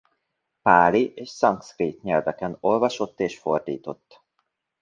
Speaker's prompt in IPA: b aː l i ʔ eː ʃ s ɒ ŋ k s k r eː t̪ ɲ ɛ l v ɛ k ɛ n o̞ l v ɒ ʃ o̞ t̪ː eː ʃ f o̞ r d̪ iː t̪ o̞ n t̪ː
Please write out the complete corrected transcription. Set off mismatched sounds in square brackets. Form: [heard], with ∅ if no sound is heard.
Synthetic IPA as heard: [p] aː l i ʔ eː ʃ s ɒ ŋ k s k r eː t̪ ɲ ɛ l v ɛ k ɛ n o̞ l v ɒ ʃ o̞ t̪ː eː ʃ f o̞ r d̪ iː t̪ o̞ [∅] t̪ː